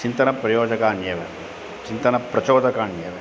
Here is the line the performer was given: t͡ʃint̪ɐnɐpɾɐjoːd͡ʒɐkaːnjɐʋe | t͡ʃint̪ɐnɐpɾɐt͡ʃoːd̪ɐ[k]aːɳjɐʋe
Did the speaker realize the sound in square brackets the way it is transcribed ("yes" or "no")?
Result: yes